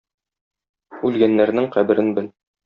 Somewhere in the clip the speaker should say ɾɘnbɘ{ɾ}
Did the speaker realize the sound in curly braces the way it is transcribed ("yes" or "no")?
no